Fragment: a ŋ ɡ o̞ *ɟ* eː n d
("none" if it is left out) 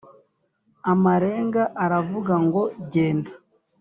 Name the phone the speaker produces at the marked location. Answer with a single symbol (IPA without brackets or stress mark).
ɟ